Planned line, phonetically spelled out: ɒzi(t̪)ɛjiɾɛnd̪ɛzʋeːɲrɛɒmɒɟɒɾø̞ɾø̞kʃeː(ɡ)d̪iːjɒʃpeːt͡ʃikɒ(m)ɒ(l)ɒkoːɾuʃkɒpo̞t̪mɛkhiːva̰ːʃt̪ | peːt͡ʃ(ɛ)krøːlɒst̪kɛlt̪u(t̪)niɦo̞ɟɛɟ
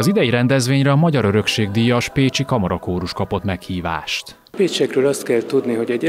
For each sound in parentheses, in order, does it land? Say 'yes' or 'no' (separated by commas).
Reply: no, yes, yes, no, yes, no